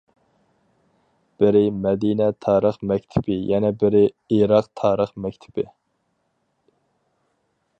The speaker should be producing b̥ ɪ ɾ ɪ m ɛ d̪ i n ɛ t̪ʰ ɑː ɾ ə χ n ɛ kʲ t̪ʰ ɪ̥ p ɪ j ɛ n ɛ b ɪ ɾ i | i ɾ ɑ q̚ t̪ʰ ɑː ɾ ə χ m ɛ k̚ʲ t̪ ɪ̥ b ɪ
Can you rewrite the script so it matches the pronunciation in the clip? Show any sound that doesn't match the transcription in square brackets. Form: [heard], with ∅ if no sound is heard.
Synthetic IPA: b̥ ɪ ɾ ɪ m ɛ d̪ i n ɛ t̪ʰ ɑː ɾ ə χ [m] ɛ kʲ t̪ʰ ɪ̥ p ɪ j ɛ n ɛ b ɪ ɾ [ɪ] | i ɾ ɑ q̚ t̪ʰ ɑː ɾ ə χ m ɛ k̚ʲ [t̪ʰ] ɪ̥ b ɪ